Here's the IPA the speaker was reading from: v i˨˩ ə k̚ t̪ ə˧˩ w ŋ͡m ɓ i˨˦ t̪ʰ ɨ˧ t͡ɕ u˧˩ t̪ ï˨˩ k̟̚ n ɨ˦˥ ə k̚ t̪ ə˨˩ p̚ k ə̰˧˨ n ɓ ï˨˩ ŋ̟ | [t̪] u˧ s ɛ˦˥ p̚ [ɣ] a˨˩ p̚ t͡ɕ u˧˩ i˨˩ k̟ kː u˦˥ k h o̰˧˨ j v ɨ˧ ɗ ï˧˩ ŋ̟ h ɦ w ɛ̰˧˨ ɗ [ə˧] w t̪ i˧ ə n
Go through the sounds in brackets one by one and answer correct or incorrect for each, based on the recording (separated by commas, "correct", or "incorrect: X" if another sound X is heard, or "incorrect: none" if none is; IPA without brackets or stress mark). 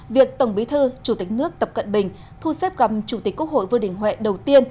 incorrect: t̪ʰ, correct, incorrect: ə˨˩